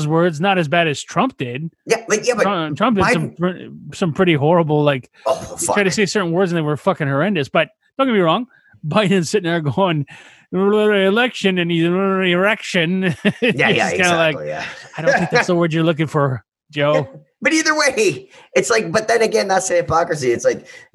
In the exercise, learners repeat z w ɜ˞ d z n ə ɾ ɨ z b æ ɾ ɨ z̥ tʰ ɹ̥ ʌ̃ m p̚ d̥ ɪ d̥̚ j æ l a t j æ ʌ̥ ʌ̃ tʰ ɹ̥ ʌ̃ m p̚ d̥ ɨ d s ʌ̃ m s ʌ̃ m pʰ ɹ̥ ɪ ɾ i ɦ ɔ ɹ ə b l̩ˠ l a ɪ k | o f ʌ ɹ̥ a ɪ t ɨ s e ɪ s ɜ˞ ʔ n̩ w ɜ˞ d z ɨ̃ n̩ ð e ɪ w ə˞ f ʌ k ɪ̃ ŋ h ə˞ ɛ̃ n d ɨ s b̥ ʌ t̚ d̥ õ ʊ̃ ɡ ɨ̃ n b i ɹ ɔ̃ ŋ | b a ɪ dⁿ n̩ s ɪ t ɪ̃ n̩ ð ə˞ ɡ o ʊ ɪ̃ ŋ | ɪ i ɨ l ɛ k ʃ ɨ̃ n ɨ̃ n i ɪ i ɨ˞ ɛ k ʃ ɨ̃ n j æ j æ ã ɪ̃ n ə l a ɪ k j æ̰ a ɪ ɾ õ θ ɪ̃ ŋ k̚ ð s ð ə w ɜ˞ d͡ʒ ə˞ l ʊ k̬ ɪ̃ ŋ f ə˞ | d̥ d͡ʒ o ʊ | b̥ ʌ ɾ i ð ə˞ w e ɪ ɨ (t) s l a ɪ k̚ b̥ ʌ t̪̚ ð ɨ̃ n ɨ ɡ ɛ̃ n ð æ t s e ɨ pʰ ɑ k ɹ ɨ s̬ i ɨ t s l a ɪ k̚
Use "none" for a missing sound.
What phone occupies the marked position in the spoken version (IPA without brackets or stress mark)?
t